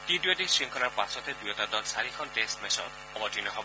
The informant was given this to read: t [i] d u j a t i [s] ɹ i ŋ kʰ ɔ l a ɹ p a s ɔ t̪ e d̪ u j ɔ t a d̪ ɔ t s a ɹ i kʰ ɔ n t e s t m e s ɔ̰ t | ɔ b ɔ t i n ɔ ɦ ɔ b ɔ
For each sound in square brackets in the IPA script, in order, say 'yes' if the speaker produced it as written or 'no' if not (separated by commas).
yes, yes